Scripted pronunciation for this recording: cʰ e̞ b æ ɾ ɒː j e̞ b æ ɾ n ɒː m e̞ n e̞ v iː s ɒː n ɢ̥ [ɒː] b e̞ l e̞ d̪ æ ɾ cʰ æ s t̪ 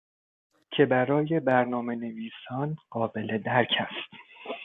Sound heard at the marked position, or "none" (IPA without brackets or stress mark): ɒː